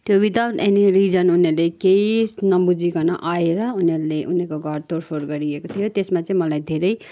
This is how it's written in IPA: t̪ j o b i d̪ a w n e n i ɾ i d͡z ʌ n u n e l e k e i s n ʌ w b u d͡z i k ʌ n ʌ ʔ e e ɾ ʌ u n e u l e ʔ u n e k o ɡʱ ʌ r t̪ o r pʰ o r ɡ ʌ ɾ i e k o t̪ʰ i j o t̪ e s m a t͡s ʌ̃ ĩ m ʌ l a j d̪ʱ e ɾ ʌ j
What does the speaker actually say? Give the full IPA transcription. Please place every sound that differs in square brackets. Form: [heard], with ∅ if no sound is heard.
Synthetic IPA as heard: t̪ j o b i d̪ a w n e n i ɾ i d͡z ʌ n u n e l e k e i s n ʌ [∅] b u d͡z i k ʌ n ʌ ʔ [a] e ɾ ʌ u n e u l e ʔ u n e k o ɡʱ ʌ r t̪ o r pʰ o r ɡ ʌ ɾ i e k o t̪ʰ i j o t̪ e s m a t͡s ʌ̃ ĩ m ʌ l a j d̪ʱ e ɾ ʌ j